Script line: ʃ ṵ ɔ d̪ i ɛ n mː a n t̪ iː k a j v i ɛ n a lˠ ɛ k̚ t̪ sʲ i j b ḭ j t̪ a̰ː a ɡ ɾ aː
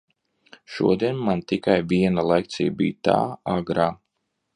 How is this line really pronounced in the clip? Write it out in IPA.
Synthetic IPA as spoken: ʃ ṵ ɔ d̪ i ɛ n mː a n t̪ i k a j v i ɛ n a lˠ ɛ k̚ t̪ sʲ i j b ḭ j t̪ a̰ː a ɡ ɾ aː